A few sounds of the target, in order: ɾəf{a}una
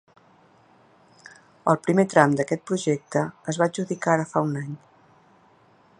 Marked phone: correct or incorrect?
correct